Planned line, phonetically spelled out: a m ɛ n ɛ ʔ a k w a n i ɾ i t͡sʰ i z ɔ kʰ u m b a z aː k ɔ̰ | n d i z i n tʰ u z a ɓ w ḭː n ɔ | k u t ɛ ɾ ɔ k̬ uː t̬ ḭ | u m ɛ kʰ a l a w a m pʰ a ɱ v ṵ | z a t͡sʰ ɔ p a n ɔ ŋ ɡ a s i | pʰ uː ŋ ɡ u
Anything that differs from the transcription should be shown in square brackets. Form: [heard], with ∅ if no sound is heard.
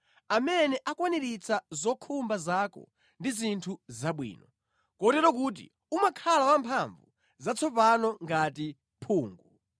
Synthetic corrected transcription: a m ɛ n ɛ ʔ a k w a n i ɾ i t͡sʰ [a] z ɔ kʰ u m b a z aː k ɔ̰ | n d i z i n tʰ u z a ɓ w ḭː n ɔ | k [ɔ] t ɛ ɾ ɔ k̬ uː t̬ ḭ | u m [a] kʰ a l a w a m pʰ a ɱ v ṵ | z a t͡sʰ ɔ p a n ɔ ŋ ɡ a [t] i | pʰ uː ŋ ɡ u